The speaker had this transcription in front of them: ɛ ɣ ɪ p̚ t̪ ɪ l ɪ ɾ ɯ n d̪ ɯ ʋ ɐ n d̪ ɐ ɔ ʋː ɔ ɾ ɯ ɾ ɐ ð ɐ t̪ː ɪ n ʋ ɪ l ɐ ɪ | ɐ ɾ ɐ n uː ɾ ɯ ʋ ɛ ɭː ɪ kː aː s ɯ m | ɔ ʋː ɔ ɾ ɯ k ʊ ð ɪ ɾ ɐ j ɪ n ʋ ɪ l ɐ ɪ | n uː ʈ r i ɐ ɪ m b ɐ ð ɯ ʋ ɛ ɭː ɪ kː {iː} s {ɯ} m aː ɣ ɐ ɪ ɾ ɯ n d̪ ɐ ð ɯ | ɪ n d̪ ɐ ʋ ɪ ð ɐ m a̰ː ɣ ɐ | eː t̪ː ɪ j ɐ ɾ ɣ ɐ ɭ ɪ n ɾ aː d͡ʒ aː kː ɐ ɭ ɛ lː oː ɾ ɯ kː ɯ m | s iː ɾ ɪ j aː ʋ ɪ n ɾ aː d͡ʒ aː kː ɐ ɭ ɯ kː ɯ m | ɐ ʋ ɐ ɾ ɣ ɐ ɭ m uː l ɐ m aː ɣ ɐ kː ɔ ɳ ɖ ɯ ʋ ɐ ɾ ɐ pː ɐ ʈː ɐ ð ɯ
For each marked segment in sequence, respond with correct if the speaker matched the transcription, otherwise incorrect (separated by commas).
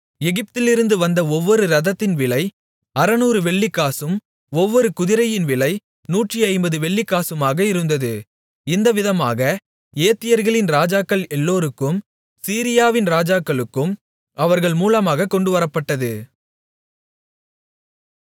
incorrect, correct